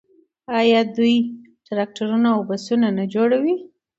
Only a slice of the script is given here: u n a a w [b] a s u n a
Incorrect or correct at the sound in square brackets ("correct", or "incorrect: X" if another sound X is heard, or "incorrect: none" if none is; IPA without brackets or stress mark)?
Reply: correct